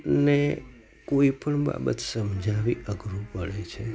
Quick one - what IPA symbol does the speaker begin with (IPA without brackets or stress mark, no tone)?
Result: n